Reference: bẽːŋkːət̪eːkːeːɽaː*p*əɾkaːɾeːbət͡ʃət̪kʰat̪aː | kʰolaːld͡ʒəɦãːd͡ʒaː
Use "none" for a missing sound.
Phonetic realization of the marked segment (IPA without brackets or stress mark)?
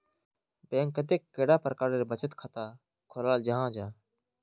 p